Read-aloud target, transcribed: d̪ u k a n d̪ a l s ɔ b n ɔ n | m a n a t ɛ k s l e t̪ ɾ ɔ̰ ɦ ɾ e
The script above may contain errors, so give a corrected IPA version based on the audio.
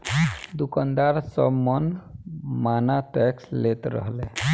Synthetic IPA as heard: d̪ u k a n d̪ a ɾ s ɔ b m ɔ n | m a n a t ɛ k s l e t̪ ɾ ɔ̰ ɦ l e